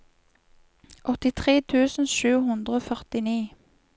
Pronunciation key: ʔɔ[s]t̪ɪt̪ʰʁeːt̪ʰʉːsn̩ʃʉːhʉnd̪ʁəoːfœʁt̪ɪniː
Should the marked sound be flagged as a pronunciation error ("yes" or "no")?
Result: yes